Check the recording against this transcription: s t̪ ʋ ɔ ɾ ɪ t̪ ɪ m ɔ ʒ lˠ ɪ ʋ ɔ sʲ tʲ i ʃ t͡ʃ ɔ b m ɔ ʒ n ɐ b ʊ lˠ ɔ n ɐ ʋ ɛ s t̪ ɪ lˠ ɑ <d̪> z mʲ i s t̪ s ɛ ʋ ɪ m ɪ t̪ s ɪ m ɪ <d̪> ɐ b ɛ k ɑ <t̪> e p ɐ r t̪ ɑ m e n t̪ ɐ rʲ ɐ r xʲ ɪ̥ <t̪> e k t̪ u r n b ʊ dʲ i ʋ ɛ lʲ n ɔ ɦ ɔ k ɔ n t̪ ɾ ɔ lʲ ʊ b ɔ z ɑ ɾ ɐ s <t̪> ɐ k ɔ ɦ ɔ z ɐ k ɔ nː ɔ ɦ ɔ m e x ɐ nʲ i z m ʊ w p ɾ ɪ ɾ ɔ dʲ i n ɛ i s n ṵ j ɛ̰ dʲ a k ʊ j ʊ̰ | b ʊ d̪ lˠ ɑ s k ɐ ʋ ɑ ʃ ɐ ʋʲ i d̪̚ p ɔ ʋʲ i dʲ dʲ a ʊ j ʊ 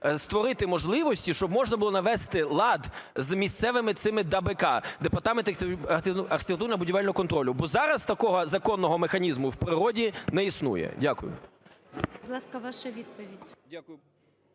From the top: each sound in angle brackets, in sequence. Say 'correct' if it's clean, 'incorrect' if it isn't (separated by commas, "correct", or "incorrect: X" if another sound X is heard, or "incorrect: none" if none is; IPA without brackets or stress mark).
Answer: correct, correct, incorrect: d̪, correct, correct